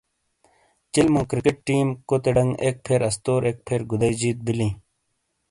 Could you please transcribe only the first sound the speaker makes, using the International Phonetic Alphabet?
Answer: t͡ɕ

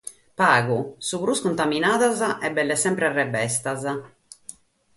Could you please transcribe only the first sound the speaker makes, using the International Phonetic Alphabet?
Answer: p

